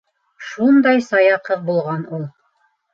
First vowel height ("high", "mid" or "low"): high